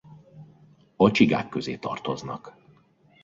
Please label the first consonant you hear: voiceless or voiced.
voiceless